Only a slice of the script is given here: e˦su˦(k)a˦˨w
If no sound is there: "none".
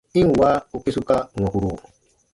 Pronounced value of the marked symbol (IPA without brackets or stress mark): k